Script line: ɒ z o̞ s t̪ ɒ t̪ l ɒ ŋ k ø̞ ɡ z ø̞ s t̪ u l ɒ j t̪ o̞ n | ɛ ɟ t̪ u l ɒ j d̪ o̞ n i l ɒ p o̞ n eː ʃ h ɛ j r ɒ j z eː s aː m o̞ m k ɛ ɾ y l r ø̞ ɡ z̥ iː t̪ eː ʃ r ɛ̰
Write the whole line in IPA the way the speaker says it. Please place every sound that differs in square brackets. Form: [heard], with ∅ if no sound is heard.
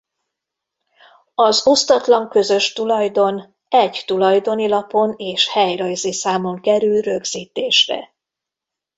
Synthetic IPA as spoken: ɒ z o̞ s t̪ ɒ t̪ l ɒ ŋ k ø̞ [∅] z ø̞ [ʃ] t̪ u l ɒ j [d̪] o̞ n | ɛ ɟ t̪ u l ɒ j d̪ o̞ n i l ɒ p o̞ n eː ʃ h ɛ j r ɒ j z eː s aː m o̞ [ŋ] k ɛ ɾ y l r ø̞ ɡ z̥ iː t̪ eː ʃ r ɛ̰